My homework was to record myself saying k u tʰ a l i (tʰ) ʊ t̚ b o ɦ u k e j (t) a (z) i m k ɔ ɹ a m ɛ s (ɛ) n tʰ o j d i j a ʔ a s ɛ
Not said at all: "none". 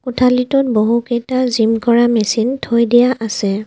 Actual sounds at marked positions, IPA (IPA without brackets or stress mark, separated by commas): t, t, z, i